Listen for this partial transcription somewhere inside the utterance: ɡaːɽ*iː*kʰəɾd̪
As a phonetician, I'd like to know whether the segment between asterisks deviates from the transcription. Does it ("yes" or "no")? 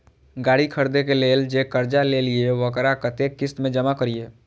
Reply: yes